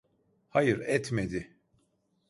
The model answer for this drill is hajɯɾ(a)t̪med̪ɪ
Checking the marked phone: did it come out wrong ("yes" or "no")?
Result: yes